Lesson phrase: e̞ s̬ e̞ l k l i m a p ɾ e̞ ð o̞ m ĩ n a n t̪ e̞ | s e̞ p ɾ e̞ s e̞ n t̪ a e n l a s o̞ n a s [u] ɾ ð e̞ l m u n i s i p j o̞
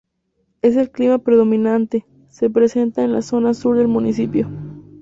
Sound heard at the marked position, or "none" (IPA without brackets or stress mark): u